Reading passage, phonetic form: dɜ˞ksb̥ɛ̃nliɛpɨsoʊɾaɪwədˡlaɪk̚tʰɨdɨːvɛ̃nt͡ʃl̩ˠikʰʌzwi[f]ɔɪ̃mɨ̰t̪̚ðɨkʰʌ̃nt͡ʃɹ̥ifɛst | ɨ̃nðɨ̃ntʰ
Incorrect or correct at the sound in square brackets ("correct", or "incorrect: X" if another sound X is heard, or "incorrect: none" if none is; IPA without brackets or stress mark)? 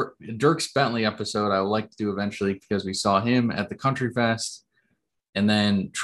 incorrect: s